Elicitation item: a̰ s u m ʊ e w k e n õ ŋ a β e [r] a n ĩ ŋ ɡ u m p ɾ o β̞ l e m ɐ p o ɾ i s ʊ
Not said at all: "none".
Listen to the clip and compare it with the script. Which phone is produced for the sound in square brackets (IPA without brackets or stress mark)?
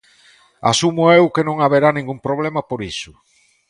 ɾ